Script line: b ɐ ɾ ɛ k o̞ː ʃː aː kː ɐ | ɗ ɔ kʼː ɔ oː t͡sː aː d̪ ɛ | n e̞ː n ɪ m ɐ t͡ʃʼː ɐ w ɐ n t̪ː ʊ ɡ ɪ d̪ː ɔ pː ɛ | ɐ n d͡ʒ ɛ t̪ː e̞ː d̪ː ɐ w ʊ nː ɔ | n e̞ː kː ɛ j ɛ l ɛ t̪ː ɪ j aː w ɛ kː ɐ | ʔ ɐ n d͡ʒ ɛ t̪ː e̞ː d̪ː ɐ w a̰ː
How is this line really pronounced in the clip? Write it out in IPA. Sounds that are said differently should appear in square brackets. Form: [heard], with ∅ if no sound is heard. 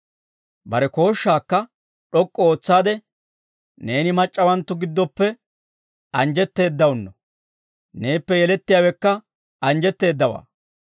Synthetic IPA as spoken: b ɐ ɾ ɛ k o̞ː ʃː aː kː ɐ | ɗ ɔ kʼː ɔ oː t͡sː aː d̪ ɛ | n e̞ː n ɪ m ɐ t͡ʃʼː ɐ w ɐ n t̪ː ʊ ɡ ɪ d̪ː ɔ pː ɛ | ɐ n d͡ʒ ɛ t̪ː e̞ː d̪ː ɐ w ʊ nː ɔ | n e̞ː [pː] ɛ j ɛ l ɛ t̪ː ɪ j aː w ɛ kː ɐ | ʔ ɐ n d͡ʒ ɛ t̪ː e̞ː d̪ː ɐ w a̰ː